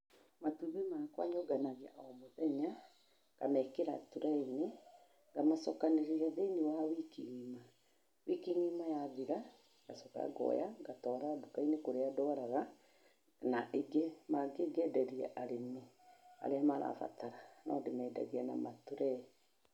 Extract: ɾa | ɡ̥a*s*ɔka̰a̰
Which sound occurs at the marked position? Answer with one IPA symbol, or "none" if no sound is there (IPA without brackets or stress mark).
s